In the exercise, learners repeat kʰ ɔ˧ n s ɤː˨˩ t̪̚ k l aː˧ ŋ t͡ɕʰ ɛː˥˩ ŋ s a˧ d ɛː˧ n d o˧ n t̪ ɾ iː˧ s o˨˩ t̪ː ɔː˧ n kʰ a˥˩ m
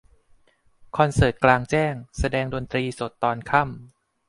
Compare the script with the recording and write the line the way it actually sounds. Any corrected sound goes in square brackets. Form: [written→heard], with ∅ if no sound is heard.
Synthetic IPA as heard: kʰ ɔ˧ n s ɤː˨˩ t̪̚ k l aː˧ ŋ [t͡ɕʰ→t͡ɕ] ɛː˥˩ ŋ s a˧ d ɛː˧ [n→ŋ] d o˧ n t̪ ɾ iː˧ s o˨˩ t̪ː ɔː˧ n kʰ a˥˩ m